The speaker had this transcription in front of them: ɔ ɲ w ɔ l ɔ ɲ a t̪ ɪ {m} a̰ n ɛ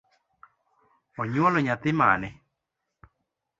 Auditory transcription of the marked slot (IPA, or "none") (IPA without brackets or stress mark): m